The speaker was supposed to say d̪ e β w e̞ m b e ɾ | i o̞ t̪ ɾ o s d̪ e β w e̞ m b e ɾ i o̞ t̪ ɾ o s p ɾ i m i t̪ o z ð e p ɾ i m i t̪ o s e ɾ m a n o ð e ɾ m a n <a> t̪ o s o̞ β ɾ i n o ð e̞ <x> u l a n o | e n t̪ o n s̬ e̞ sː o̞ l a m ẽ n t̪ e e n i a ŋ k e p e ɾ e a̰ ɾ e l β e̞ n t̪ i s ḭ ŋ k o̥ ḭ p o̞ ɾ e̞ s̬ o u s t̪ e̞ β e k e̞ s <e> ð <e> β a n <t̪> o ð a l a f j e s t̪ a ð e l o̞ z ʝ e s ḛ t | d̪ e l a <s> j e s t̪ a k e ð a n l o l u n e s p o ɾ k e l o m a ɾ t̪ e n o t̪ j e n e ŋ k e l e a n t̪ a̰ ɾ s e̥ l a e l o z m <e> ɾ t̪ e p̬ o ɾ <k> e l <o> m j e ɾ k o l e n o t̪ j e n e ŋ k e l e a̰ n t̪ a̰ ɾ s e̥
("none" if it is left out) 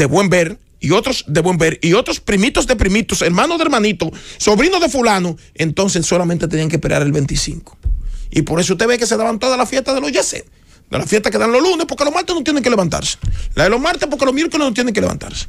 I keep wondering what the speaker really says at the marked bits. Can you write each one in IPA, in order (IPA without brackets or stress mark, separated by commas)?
i, f, e, a, t̪, f, a, k, o